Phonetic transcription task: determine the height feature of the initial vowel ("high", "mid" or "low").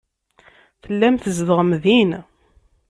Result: mid